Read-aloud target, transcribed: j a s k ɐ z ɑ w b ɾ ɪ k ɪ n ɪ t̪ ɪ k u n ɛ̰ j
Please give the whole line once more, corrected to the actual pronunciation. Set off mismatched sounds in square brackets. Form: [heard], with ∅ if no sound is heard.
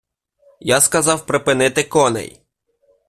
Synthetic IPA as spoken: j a s k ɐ z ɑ w [p] ɾ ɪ [p] ɪ n ɪ t̪ ɪ k [ɔ] n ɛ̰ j

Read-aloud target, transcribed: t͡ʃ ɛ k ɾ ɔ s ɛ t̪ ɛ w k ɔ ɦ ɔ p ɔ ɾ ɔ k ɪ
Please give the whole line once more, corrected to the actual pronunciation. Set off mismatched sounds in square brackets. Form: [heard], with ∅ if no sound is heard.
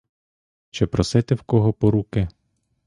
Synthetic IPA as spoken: t͡ʃ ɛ [p] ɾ ɔ s ɛ t̪ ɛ w k ɔ ɦ ɔ p ɔ ɾ [u] k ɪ

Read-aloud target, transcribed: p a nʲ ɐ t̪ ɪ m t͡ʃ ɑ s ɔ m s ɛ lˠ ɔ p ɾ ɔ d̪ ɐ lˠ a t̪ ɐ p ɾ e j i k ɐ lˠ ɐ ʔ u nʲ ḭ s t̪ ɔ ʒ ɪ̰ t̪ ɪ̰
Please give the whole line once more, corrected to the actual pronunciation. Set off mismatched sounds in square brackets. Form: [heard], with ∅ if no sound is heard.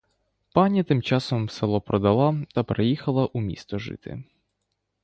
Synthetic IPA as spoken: p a nʲ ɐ t̪ ɪ m t͡ʃ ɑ s ɔ m s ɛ lˠ ɔ p ɾ ɔ d̪ ɐ lˠ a t̪ ɐ p ɾ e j i [x] ɐ lˠ ɐ ʔ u [mʲ] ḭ s t̪ ɔ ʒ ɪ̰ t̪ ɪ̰

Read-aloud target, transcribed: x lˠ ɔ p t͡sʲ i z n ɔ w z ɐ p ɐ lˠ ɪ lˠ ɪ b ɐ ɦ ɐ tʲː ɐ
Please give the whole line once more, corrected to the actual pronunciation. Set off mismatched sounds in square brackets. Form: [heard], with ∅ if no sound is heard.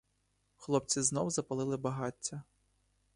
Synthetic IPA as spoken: x lˠ ɔ p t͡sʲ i z n ɔ w z ɐ p ɐ lˠ ɪ lˠ ɪ b ɐ ɦ [ɑ] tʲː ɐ

